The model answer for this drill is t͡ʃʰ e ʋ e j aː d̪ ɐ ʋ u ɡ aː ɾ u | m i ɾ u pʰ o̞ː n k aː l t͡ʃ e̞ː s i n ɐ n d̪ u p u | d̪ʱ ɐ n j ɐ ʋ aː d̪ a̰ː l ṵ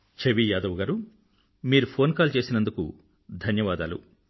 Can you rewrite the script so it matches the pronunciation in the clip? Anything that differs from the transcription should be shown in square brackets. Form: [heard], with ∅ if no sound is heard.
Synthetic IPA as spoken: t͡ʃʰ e ʋ [i] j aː d̪ ɐ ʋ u ɡ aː ɾ u | m [iː] ɾ u pʰ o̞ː n k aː l t͡ʃ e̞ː s i n ɐ n d̪ u [k] u | d̪ʱ ɐ n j ɐ ʋ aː d̪ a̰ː l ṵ